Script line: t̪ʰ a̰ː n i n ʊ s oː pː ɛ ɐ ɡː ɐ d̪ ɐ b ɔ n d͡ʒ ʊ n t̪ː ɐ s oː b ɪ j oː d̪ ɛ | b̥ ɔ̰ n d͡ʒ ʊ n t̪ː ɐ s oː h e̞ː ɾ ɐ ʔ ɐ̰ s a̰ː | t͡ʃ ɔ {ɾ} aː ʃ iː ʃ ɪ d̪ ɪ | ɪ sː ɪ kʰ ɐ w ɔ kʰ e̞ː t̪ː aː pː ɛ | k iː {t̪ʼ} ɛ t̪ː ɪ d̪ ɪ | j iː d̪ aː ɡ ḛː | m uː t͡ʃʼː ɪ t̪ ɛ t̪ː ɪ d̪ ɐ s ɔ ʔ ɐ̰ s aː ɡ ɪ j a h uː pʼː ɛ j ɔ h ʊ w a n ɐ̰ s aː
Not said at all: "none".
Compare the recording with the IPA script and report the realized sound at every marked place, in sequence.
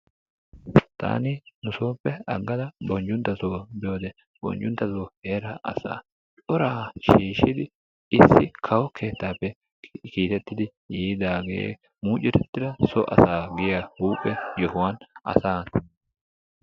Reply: ɾ, t̪

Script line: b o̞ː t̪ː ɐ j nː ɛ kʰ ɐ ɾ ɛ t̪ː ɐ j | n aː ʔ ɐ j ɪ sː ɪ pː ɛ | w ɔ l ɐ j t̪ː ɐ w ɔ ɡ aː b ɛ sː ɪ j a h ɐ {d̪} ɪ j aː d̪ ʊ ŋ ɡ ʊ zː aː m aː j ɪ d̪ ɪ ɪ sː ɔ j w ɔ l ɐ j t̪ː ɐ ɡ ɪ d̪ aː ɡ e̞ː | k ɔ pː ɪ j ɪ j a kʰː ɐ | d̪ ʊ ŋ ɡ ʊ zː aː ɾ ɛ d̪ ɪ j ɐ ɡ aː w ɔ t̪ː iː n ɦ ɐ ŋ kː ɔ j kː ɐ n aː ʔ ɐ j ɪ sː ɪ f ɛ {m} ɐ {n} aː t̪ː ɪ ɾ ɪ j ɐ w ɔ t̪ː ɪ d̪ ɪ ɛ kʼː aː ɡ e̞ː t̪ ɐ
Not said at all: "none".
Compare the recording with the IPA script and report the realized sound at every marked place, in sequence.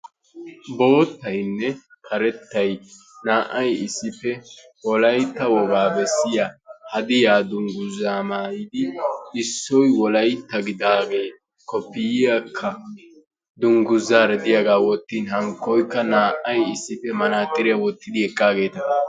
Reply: d̪, m, n

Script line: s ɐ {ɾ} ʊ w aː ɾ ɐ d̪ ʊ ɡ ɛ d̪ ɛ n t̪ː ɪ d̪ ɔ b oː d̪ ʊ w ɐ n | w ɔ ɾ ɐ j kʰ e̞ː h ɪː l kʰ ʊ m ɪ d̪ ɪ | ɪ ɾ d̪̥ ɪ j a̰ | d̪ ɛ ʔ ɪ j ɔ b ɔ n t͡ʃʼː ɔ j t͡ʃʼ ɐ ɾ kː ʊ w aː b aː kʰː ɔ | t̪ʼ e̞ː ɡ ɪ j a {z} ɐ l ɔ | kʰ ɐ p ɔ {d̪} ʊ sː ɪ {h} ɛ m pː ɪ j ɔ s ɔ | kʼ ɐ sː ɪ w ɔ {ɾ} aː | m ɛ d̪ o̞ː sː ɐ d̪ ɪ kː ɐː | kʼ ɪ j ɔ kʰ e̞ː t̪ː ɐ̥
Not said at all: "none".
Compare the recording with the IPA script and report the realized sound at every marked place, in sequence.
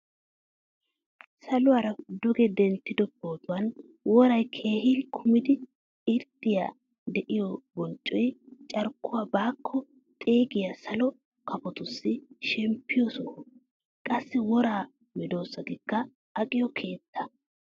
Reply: l, s, t̪, ʃ, ɾ

